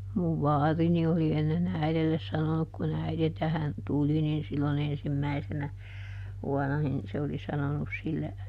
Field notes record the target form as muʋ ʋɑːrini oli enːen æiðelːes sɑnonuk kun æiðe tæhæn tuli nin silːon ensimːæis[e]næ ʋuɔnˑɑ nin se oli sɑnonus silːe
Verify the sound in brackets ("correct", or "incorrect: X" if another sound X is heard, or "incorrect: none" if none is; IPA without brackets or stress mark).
correct